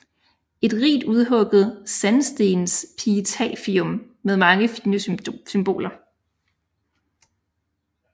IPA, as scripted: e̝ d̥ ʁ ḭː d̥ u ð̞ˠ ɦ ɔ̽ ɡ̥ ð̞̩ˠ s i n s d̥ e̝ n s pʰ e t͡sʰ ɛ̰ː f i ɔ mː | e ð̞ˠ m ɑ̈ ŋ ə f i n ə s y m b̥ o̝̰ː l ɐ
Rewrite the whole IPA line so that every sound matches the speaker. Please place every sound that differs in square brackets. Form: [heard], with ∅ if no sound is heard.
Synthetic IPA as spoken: e̝ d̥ ʁ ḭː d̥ u ð̞ˠ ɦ ɔ̽ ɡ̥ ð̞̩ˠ s [æ] n s d̥ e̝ n s pʰ [i] t͡sʰ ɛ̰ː f i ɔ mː | e ð̞ˠ m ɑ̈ ŋ ə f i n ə s y m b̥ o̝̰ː l ɐ